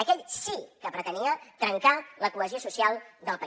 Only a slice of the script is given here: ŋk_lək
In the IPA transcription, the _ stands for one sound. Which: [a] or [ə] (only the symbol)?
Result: a